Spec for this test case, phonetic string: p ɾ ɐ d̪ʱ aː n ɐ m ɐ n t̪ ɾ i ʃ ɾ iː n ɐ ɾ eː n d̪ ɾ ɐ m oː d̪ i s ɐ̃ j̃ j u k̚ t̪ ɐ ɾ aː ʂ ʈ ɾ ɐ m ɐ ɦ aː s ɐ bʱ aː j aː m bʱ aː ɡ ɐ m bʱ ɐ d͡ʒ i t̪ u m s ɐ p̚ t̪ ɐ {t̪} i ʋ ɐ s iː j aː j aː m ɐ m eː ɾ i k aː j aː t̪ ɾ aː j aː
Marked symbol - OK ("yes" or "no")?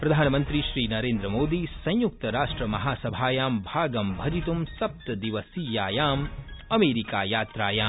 no